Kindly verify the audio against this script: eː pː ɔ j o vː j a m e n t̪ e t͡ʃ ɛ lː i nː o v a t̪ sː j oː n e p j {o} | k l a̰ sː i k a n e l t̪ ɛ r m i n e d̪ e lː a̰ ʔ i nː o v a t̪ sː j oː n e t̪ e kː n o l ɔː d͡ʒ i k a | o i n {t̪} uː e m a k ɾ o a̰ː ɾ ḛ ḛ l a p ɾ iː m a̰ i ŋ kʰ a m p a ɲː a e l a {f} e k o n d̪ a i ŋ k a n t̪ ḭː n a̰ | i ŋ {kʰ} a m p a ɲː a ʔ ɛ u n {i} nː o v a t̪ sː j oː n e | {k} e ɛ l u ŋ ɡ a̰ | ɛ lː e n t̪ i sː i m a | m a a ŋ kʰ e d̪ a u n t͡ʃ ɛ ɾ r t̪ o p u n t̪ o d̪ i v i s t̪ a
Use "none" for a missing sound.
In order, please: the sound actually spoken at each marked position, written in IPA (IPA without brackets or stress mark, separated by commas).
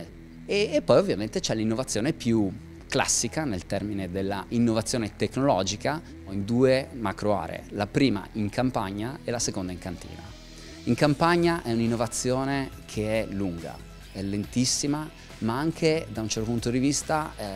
u, d̪, s, k, i, kʰ